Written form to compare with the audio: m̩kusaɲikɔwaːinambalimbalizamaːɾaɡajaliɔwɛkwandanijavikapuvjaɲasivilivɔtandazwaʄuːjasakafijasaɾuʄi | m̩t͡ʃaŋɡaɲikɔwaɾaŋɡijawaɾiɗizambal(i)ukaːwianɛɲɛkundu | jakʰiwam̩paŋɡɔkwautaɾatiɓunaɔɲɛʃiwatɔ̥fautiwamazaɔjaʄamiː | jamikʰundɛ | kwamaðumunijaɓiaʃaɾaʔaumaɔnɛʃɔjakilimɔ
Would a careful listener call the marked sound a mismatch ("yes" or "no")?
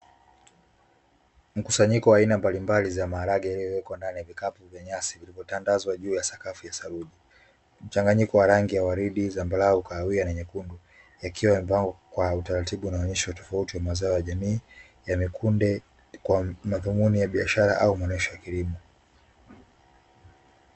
yes